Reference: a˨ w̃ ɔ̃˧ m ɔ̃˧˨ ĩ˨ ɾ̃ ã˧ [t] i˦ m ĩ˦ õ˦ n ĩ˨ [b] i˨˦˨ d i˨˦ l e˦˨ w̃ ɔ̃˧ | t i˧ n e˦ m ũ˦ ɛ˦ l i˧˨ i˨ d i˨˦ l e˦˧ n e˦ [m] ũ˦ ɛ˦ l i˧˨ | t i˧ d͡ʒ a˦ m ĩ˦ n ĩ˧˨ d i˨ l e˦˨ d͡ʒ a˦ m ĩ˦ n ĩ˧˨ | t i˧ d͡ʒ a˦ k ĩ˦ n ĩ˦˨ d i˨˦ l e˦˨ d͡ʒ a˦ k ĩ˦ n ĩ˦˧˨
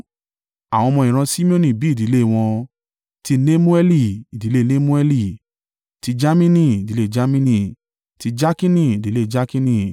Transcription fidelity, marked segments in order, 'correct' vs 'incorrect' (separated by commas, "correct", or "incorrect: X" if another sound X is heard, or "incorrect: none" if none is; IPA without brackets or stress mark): incorrect: s, correct, correct